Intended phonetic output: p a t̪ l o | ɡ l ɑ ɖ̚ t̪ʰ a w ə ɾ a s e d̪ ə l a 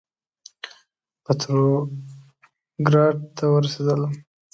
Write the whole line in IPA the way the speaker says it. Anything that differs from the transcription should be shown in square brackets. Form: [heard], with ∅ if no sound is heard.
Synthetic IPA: p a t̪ [ɾ] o | ɡ [ɾ] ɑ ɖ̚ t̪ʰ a w ə ɾ a s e d̪ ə l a